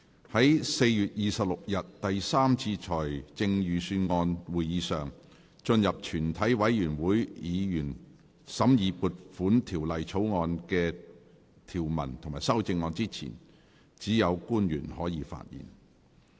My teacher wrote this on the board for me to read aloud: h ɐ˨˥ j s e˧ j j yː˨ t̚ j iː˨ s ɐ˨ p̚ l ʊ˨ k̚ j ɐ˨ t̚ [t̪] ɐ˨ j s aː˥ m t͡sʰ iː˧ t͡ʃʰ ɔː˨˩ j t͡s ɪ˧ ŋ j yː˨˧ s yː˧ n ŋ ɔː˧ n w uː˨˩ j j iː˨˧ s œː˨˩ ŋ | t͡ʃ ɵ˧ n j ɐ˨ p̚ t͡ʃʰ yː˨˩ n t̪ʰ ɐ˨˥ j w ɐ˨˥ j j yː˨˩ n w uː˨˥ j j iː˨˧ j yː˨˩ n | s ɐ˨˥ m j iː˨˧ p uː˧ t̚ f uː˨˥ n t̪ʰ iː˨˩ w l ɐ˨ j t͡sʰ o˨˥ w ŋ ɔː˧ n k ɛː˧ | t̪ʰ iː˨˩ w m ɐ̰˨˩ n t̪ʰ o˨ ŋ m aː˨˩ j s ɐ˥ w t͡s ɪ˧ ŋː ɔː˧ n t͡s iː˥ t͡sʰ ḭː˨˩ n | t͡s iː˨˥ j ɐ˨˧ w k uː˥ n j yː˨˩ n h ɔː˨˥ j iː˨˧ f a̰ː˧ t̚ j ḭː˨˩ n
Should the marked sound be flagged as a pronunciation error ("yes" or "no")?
no